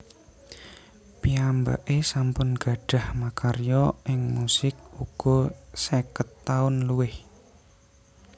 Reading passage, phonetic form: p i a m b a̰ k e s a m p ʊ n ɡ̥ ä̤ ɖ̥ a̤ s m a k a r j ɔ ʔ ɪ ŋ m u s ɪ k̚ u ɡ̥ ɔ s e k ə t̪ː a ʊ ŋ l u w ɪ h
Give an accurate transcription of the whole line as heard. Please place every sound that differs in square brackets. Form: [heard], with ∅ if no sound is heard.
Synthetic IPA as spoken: p i a m b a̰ [ʔ] e s a m p ʊ n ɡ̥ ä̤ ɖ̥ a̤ [h] m a k a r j ɔ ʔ ɪ ŋ m u s ɪ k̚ u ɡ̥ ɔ s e k ə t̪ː a ʊ [n] l u w ɪ h